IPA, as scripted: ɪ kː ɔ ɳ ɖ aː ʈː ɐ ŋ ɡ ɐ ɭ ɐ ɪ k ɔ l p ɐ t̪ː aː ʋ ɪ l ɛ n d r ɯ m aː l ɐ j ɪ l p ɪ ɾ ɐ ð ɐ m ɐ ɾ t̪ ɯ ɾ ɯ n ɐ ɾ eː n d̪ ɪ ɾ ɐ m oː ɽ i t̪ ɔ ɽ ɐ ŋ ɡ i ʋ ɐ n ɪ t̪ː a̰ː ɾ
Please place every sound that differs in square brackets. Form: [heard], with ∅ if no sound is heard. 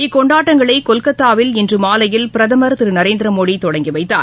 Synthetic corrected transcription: ɪ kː ɔ ɳ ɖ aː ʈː ɐ ŋ ɡ ɐ ɭ ɐ ɪ k ɔ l [k] ɐ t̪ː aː ʋ ɪ l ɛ n d r ɯ m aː l ɐ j ɪ l p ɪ ɾ ɐ ð ɐ m ɐ ɾ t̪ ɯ ɾ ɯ n ɐ ɾ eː n d̪ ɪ ɾ ɐ m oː ɽ i t̪ ɔ ɽ ɐ ŋ ɡ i ʋ ɐ [∅] ɪ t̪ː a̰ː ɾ